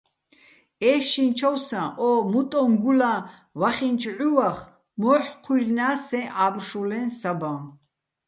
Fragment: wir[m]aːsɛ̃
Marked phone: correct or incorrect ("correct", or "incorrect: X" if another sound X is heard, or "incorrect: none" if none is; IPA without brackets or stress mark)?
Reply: incorrect: n